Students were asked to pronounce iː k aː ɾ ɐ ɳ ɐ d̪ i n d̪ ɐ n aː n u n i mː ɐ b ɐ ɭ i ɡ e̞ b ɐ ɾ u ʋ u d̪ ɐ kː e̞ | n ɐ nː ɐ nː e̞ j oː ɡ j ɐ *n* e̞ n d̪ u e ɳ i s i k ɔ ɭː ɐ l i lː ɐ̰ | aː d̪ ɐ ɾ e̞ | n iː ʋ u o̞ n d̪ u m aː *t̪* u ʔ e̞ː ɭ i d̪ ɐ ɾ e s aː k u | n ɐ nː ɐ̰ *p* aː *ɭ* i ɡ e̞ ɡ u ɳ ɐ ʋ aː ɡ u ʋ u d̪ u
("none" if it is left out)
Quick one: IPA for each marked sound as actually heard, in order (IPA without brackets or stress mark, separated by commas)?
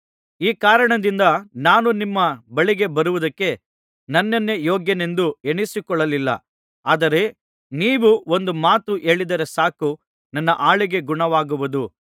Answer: n, t̪, ʔ, ɭ